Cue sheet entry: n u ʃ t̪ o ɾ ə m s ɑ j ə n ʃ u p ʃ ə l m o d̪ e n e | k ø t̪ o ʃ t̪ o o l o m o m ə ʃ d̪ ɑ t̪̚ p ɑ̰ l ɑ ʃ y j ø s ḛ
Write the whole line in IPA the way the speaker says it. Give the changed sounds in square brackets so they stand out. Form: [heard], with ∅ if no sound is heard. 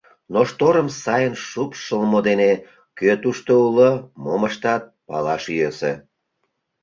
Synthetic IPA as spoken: n [o] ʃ t̪ o ɾ ə m s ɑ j ə n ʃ u p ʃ ə l m o d̪ e n e | k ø t̪ [u] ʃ t̪ o [u] l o m o m ə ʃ [t̪] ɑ t̪̚ p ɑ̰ l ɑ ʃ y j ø s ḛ